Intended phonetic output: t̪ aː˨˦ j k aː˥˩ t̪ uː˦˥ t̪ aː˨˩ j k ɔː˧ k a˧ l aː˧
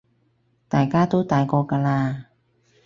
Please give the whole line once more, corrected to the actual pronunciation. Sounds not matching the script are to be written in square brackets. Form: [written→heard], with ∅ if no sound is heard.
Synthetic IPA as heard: t̪ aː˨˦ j k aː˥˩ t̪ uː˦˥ t̪ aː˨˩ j k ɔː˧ k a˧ l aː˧